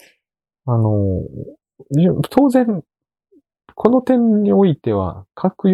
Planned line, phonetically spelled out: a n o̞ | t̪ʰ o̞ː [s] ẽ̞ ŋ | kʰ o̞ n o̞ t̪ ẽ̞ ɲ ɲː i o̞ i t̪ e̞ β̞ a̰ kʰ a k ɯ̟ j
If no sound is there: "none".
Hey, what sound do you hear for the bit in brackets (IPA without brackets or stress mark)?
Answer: z